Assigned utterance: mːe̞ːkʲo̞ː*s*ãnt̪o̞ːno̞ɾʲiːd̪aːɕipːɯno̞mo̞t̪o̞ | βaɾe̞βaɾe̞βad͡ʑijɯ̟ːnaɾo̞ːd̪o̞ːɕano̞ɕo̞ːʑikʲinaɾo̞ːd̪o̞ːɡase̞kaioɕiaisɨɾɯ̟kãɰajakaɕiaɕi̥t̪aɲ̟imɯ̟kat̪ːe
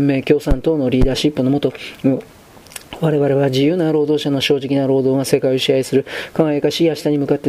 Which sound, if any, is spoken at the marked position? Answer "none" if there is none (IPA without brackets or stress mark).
s